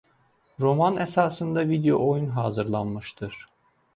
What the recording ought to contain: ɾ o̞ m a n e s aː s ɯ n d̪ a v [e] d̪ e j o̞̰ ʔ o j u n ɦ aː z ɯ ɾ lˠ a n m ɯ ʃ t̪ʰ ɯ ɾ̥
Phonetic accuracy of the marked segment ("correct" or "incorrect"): incorrect